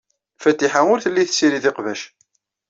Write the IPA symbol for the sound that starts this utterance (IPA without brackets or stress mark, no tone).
f